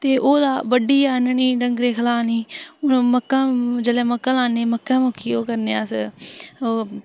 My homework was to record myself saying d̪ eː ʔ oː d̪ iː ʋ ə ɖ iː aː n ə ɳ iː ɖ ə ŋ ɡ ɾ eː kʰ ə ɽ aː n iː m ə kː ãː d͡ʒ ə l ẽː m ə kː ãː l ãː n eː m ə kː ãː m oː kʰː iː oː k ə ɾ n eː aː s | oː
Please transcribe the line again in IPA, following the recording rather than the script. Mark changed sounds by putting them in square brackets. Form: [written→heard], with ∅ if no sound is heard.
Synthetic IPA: [d̪→t̪] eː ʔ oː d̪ [iː→aː] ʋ ə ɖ iː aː n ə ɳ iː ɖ ə ŋ ɡ ɾ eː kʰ ə [ɽ→l] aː n iː m ə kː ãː d͡ʒ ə l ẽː m ə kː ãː l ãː n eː m ə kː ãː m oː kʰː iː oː k ə ɾ n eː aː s | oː